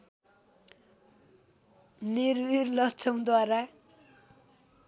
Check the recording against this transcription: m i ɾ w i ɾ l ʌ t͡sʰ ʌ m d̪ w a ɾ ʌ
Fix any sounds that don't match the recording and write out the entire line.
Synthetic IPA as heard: n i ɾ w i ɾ l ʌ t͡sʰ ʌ m d̪ w a ɾ a